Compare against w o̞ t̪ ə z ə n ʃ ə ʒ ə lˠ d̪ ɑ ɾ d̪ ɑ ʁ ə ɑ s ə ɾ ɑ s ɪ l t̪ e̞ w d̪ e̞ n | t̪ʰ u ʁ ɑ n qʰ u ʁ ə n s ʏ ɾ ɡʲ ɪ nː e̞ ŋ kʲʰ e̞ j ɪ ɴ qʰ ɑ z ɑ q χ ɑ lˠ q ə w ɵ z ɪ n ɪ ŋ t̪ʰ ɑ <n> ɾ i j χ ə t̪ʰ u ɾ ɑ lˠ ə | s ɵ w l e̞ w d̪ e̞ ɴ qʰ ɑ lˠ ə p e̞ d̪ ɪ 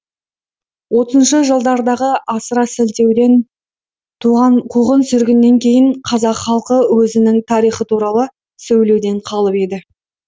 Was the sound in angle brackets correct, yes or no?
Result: no